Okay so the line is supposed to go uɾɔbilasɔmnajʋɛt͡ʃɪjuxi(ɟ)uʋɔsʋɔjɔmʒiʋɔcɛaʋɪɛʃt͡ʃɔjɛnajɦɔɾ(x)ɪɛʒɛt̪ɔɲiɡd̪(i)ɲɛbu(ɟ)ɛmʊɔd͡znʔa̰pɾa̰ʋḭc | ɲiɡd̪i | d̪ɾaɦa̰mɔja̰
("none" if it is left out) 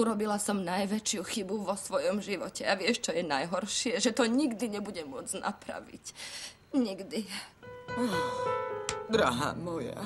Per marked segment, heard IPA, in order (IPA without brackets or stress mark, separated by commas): b, ʃ, i, ɟ